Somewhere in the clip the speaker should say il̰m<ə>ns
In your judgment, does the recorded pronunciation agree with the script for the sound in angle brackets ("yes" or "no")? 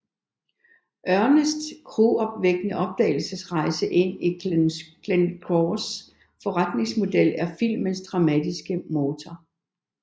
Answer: yes